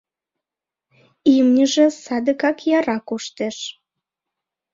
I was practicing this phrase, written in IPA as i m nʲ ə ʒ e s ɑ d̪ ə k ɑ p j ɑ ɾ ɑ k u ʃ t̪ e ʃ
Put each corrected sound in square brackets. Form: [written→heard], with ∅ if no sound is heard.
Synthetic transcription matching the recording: i m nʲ ə ʒ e s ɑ d̪ ə k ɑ [p→k] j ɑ ɾ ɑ k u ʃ t̪ e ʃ